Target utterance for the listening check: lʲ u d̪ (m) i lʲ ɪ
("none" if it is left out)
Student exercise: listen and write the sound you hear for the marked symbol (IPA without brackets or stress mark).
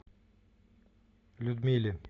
m